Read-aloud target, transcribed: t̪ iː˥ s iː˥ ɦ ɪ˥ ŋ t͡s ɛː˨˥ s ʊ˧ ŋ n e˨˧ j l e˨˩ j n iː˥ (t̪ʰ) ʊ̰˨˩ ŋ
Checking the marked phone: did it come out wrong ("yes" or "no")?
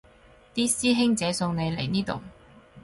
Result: yes